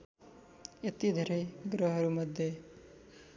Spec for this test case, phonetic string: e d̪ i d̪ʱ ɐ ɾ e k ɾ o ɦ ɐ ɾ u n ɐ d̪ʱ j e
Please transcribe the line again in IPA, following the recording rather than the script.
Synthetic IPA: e t̪ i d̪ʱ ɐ ɾ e ɡ ɾ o ɦ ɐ ɾ u m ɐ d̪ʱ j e